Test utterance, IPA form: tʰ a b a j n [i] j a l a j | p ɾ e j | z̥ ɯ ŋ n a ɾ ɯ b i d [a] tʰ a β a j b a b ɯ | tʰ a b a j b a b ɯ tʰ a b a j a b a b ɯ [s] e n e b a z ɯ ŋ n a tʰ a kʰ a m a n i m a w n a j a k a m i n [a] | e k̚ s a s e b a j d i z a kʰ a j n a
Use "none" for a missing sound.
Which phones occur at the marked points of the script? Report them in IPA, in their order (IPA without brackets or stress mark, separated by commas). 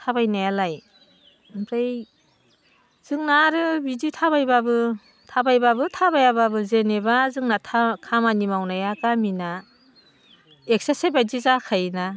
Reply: a, i, z, a